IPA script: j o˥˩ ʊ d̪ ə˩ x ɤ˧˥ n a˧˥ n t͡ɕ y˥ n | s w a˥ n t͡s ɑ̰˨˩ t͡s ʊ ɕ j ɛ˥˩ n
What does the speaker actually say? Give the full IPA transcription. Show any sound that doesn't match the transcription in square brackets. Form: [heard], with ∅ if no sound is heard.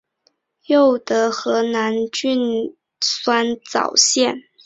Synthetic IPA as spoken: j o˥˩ ʊ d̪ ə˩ x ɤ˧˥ n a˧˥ n t͡ɕ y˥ n | s w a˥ n t͡s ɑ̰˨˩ [∅] ʊ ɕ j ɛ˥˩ n